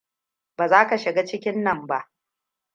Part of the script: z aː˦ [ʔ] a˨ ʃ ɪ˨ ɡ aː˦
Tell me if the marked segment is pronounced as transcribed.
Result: no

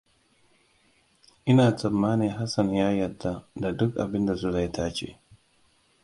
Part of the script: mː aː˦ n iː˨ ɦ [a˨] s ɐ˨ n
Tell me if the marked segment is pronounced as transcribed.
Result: no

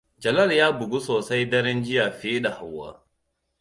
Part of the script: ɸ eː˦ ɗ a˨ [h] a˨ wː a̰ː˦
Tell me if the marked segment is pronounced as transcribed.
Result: yes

